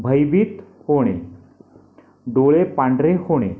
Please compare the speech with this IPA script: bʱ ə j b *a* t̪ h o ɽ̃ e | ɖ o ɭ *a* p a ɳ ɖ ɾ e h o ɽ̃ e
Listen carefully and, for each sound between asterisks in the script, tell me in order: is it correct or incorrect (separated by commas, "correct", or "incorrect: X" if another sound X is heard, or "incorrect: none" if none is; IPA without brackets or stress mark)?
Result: incorrect: i, incorrect: e